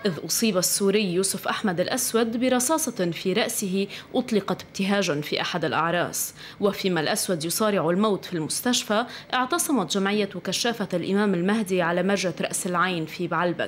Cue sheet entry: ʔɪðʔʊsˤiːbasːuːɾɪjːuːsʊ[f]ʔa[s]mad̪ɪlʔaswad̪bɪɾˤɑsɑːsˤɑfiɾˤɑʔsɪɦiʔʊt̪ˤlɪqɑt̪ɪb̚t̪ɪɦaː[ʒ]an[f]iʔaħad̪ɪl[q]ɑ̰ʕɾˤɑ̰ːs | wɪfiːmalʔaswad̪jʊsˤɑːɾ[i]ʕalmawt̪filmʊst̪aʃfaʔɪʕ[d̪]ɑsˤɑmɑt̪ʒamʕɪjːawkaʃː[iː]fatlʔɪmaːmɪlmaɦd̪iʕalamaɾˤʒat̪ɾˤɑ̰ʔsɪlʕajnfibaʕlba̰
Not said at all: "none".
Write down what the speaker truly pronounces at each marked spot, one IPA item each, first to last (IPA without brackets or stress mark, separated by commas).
f, ħ, ʒ, f, ʔ, ɪ, t̪, aː